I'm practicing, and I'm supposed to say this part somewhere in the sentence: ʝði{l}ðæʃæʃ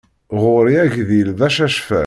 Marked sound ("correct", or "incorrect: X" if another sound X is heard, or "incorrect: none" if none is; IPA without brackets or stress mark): correct